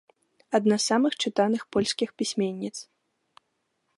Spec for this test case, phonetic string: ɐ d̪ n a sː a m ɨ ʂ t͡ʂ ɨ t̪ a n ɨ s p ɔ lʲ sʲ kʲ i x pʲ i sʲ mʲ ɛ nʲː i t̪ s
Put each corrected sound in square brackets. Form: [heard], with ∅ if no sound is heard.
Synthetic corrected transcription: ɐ d̪ n a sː a m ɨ [x] t͡ʂ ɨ t̪ a n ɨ [x] p ɔ lʲ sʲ kʲ i x pʲ i sʲ mʲ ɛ nʲː i t̪ s